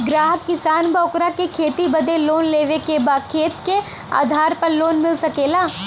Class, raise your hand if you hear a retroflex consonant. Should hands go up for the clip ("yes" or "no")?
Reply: no